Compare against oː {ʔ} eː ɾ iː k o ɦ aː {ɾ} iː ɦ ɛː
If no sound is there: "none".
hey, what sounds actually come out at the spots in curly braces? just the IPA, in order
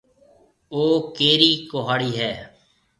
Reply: k, ɽ

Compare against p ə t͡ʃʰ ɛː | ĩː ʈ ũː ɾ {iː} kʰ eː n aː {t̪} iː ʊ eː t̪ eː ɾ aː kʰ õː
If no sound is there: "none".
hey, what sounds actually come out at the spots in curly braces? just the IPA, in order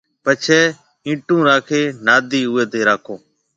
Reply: aː, d̪

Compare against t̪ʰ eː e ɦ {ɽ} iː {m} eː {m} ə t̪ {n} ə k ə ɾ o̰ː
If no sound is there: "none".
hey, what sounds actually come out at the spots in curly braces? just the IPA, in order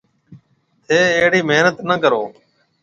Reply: ɽ, m, n, n

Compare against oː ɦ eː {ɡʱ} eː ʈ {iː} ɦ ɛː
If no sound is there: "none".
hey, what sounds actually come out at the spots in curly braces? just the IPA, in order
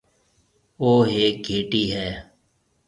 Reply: ɡʱ, iː

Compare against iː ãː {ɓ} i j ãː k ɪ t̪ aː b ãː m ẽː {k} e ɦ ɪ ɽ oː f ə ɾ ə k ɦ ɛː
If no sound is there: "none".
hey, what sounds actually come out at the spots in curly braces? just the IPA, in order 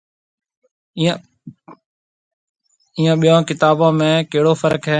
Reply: ɓ, k

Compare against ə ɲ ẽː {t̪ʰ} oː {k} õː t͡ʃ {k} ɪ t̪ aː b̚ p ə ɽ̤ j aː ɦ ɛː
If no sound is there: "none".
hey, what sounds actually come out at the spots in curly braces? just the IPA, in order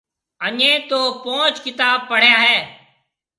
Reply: t̪, p, k

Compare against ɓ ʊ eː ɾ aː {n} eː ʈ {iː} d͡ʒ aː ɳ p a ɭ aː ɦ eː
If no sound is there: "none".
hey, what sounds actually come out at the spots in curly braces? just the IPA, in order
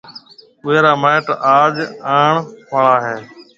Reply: m, aː

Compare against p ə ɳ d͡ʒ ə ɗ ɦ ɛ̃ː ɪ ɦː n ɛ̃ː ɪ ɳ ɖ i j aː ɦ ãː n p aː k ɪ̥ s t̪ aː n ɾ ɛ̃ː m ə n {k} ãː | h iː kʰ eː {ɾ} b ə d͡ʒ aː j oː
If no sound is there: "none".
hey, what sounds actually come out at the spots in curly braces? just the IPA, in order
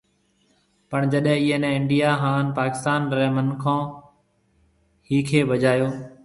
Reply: kʰ, none

